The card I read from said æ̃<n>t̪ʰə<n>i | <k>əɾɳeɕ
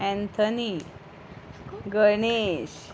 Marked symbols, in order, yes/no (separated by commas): yes, yes, no